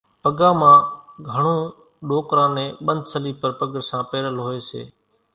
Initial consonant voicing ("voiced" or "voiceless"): voiceless